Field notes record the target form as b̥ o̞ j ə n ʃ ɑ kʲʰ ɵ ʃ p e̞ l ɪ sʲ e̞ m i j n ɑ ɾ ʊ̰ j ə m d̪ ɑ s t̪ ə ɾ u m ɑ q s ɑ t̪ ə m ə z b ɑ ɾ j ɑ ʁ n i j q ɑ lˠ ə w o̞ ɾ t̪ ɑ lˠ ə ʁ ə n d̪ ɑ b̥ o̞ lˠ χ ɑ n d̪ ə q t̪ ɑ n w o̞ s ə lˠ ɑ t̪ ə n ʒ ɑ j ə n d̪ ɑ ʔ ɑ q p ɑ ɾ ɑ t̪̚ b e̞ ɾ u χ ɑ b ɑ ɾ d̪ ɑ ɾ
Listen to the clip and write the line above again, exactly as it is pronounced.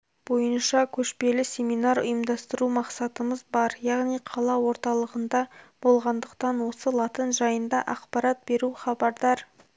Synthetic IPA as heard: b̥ o̞ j ə n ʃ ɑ kʲʰ ɵ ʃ p e̞ l ɪ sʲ e̞ m i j n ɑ ɾ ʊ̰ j ə m d̪ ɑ s t̪ ə ɾ u m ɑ q s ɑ t̪ ə m ə z b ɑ ɾ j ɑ ʁ n i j qʰ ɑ lˠ ɑ w o̞ ɾ t̪ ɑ lˠ ə ʁ ə n d̪ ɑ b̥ o̞ lˠ ʁ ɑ n d̪ ə q t̪ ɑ n w o̞ s ə lˠ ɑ t̪ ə n ʒ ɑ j ə n d̪ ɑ ʔ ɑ q p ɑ ɾ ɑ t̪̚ b e̞ ɾ u χ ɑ b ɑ ɾ d̪ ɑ ɾ